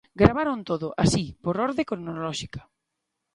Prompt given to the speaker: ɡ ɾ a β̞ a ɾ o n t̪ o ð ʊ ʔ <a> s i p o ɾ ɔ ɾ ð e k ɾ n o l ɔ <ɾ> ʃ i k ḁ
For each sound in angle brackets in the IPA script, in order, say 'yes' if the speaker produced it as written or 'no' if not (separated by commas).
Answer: yes, no